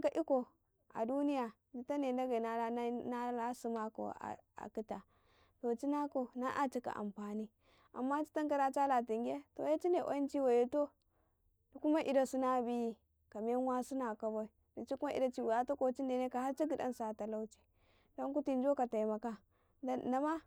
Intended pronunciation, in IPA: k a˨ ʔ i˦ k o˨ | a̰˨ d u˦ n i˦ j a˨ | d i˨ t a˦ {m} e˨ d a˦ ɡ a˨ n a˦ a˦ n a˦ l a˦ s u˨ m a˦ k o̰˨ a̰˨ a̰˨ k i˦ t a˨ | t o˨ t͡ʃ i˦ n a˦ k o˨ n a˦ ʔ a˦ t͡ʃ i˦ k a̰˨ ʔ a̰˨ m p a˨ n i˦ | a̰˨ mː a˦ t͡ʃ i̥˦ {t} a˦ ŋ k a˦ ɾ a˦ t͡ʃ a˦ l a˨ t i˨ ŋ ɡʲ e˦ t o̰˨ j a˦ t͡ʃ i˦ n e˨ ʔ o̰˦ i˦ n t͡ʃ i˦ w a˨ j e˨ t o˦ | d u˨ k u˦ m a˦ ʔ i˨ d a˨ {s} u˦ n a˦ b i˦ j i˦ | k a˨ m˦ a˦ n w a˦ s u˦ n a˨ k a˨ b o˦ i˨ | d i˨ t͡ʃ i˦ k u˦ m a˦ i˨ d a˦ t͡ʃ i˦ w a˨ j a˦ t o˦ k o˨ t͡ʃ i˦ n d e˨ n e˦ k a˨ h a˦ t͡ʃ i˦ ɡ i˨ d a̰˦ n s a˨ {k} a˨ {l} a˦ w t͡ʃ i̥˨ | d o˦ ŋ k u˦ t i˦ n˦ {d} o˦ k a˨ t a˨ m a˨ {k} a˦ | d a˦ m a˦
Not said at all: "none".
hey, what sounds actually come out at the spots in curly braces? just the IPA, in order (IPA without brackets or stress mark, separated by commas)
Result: n, t, s, t, l, d͡ʒ, k